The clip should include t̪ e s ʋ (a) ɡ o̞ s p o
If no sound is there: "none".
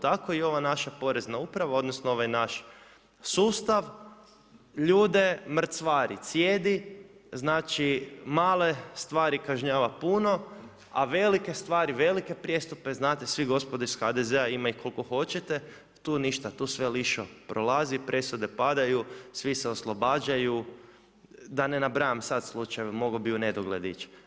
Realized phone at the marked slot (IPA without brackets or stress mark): i